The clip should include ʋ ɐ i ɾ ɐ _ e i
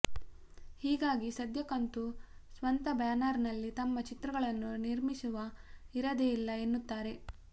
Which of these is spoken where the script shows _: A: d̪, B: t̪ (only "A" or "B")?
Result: A